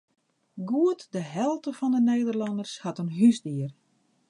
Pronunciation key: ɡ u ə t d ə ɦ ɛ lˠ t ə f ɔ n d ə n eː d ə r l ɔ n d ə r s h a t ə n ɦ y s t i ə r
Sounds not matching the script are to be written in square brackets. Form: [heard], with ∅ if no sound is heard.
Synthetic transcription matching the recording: ɡ u ə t d ə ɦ ɛ lˠ t ə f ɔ n d ə n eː d ə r l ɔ n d ə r s h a t ə n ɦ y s [d] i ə r

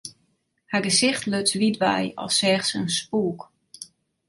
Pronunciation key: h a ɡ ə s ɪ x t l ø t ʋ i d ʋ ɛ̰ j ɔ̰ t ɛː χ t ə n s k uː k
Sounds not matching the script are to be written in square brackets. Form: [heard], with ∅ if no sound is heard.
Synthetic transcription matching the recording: h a ɡ ə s ɪ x t l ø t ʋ i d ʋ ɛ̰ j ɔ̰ [s] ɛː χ [s] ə n s [p] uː k

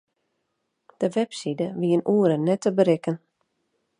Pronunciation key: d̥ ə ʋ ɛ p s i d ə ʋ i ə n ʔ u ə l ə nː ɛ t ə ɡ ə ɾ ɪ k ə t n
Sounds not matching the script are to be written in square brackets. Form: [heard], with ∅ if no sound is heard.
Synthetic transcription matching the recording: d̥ ə ʋ ɛ p s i d ə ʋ i ə n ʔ u ə [ɾ] ə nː ɛ t ə [b] ə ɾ ɪ k ə [∅] n

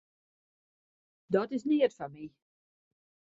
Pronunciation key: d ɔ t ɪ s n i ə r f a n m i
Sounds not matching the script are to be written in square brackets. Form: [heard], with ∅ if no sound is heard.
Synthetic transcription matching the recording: d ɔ t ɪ s n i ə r f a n m i

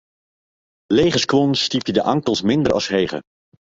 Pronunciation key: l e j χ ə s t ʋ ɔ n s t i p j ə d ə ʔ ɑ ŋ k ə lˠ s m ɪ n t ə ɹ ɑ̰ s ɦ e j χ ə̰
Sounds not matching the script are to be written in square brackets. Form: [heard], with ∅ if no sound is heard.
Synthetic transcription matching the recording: l e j χ ə s [k] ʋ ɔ n s t i p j ə d ə ʔ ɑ ŋ k ə lˠ s m ɪ n [d] ə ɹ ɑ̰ s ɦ e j χ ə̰

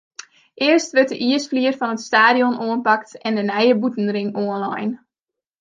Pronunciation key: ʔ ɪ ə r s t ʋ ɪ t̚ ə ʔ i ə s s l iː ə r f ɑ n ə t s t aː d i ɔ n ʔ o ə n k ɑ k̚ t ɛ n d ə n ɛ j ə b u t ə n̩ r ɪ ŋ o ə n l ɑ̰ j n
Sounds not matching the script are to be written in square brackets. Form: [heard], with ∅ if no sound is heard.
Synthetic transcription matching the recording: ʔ ɪ ə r s t ʋ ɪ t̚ ə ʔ i ə s [f] l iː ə r f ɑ n ə t s t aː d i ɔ n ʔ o ə n [p] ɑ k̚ t ɛ n d ə n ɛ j ə b u t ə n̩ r ɪ ŋ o ə n l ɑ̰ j n

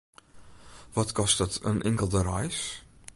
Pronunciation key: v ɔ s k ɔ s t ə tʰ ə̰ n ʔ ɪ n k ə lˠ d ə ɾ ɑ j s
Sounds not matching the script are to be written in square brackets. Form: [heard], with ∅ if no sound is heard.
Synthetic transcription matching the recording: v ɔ [t] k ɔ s t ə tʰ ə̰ n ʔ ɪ [ŋ] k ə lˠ d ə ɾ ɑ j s

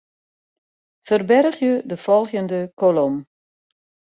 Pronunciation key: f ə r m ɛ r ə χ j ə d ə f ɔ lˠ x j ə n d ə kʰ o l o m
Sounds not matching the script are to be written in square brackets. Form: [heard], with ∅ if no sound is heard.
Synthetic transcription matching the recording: f ə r [b] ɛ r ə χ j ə d ə f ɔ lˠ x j ə n d ə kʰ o l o m

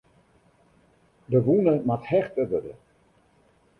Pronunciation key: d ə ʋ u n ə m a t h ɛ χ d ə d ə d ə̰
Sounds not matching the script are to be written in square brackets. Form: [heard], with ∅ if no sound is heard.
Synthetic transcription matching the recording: d ə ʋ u n ə m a t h ɛ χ [t] ə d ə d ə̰

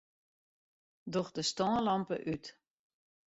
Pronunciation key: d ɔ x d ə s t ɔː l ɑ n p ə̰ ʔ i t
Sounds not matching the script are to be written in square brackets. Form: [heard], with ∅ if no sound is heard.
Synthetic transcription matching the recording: d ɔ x d ə s t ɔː l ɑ [m] p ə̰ ʔ [y] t

